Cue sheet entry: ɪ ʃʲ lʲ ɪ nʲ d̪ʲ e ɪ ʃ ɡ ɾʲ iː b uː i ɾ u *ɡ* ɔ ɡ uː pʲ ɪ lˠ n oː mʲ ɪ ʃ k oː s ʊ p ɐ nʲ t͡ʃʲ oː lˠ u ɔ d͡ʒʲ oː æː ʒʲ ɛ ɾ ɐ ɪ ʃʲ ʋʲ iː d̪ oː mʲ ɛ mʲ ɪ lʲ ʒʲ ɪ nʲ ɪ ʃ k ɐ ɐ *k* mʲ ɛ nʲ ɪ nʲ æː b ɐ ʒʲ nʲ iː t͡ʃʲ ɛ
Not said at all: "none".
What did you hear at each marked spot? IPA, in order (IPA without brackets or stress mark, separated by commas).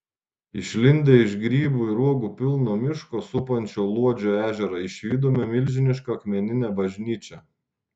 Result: none, k